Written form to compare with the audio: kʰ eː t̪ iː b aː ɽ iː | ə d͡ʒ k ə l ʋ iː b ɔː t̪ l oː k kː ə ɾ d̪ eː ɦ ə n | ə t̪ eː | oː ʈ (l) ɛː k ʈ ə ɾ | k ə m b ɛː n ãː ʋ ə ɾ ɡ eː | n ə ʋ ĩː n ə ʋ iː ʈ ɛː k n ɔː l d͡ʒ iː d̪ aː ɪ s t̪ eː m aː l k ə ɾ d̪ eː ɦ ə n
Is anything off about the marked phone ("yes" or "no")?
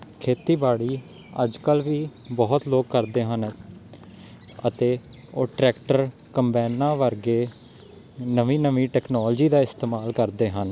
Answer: yes